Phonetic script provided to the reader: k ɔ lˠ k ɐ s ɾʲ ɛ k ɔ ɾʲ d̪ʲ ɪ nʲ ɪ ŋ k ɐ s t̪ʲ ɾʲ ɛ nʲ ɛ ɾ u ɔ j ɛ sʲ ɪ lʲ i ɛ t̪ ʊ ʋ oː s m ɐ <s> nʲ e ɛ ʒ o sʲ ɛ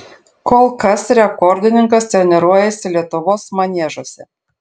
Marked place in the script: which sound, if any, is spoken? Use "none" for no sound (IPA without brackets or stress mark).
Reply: none